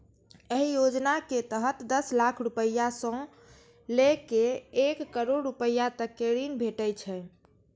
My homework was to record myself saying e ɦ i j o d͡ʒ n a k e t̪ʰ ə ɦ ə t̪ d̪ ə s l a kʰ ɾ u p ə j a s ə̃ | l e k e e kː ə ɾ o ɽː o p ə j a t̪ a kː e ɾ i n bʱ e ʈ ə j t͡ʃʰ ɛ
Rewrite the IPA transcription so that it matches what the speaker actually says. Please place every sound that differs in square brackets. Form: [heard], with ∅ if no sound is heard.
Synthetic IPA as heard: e ɦ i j o d͡ʒ n a k e [t̪] ə ɦ ə t̪ d̪ ə s l a kʰ ɾ u p ə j a s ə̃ | l e k e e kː ə ɾ o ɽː [u] p ə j a t̪ [ə] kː e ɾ i n bʱ e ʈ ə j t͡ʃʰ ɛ